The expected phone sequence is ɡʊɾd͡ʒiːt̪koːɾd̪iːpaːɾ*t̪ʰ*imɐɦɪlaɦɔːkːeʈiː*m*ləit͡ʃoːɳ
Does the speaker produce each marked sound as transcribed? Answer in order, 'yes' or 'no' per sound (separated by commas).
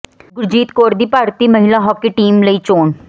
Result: no, yes